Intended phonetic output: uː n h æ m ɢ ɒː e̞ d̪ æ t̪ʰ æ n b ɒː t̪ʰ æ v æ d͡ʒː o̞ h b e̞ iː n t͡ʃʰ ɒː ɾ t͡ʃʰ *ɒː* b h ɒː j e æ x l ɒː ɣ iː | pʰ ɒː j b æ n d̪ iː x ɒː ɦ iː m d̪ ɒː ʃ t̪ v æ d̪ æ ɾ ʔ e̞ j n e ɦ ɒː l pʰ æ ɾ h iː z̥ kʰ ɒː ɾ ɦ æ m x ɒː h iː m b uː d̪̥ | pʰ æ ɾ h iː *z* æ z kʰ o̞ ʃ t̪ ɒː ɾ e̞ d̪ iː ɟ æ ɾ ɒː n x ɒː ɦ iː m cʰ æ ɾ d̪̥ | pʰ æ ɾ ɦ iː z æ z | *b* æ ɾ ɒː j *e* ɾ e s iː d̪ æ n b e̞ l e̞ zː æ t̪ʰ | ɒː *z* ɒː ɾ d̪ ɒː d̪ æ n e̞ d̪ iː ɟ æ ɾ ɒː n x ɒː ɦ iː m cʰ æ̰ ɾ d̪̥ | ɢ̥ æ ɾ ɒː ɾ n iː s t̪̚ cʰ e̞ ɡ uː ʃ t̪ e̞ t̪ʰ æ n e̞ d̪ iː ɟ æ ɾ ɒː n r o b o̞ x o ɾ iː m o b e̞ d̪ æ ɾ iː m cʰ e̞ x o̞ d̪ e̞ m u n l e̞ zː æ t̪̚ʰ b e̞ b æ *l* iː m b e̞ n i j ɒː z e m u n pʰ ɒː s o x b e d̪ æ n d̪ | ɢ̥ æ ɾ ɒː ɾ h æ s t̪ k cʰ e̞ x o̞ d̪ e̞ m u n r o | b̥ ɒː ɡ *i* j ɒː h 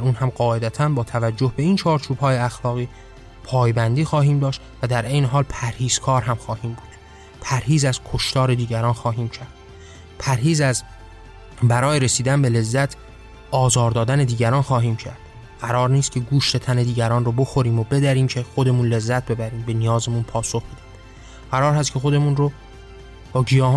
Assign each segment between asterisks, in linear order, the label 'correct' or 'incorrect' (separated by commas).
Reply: incorrect, correct, correct, correct, correct, incorrect, correct